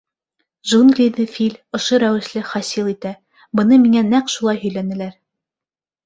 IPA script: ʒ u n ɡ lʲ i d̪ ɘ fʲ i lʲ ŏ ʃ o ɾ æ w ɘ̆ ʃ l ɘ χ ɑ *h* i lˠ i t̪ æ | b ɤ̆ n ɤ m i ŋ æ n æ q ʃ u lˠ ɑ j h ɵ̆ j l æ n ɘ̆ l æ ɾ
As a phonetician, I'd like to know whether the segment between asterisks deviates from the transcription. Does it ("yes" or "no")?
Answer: yes